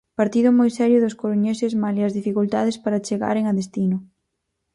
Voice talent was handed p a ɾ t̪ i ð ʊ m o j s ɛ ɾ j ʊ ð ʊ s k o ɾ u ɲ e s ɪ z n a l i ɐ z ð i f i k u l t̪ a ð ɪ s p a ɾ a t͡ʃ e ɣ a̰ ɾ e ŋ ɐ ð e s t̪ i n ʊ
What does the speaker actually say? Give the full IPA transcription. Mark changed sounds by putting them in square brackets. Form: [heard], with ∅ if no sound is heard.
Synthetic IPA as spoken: p a ɾ t̪ i ð ʊ m o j s ɛ ɾ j ʊ ð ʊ s k o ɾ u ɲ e s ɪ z [m] a l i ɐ z ð i f i k u l t̪ a ð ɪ s p a ɾ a t͡ʃ e ɣ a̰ ɾ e ŋ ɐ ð e s t̪ i n ʊ